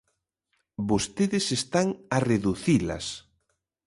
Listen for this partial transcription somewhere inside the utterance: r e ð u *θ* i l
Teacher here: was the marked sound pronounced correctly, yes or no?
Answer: yes